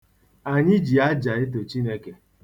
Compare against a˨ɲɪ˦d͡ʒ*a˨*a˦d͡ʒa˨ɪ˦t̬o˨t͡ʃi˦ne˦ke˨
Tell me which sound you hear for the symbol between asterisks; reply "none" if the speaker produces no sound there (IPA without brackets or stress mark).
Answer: i˨